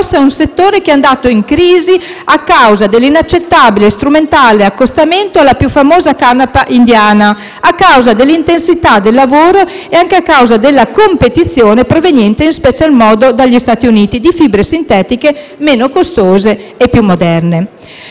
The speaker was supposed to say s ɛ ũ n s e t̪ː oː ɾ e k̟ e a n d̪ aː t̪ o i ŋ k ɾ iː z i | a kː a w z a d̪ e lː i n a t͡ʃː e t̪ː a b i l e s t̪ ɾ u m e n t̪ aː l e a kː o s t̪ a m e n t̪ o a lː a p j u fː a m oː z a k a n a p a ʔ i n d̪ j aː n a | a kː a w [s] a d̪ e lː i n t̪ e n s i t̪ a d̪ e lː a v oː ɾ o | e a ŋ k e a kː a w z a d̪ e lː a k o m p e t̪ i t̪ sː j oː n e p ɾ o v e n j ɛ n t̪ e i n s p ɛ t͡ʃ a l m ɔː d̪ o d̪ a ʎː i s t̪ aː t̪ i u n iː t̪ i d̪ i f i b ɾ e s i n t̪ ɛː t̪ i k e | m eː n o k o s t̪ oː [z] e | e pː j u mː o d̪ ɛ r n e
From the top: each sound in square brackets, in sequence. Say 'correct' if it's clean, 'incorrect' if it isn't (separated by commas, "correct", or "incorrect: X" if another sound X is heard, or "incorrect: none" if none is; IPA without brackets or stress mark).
incorrect: z, correct